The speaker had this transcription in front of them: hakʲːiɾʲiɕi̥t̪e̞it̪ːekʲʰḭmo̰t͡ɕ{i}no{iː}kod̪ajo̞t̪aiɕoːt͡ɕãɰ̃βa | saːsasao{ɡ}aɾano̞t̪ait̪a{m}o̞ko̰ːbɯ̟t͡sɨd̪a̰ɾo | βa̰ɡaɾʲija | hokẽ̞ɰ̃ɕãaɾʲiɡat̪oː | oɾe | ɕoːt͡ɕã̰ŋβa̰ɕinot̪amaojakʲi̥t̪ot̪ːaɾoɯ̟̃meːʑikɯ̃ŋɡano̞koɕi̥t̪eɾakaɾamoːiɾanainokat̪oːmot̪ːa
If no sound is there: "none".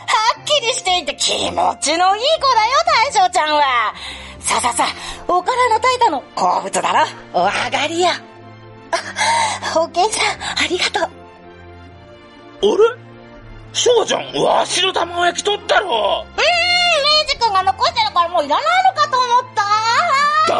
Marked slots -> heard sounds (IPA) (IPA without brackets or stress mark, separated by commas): i, iː, k, n